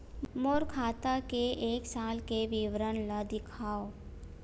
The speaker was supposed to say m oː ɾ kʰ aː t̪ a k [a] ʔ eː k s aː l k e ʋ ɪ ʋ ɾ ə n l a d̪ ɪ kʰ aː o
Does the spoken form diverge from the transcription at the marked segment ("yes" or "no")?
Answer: yes